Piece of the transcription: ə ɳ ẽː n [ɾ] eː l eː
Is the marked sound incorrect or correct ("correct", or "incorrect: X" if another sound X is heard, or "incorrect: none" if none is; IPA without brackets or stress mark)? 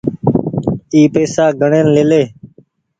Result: incorrect: l